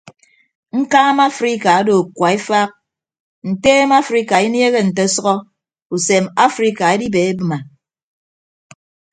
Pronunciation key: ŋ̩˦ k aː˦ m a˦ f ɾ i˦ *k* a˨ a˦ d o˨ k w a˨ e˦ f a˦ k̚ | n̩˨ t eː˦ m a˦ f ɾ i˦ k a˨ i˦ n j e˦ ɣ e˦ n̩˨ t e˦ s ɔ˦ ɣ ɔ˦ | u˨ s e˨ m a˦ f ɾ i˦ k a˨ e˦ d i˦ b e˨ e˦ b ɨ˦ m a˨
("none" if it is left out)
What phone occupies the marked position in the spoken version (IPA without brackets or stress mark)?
k